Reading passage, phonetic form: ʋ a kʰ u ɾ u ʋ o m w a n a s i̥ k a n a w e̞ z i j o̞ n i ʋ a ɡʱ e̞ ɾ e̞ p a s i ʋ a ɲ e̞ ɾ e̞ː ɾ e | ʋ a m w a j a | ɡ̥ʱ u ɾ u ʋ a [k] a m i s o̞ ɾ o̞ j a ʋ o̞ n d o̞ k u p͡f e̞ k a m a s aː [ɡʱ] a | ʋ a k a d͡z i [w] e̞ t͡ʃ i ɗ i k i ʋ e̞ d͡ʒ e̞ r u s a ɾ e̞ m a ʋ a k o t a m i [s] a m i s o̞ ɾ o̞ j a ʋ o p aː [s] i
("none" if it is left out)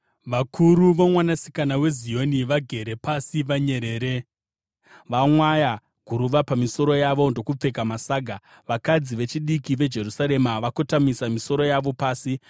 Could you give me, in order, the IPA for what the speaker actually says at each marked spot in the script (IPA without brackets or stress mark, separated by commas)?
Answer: p, ɡʱ, ʋ, s, s